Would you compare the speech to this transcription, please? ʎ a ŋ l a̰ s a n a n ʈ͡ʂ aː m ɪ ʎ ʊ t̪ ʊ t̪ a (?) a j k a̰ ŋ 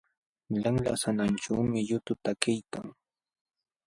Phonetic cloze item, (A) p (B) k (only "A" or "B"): B